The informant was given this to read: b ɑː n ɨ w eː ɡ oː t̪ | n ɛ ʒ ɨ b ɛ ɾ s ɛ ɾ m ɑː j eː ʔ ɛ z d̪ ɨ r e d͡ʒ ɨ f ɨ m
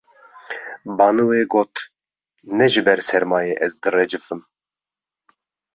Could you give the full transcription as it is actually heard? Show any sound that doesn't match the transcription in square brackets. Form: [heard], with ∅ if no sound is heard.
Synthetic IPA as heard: b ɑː n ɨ w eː ɡ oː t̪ | n ɛ ʒ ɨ b ɛ ɾ s ɛ ɾ m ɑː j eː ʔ ɛ z d̪ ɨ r [ɛ] d͡ʒ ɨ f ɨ m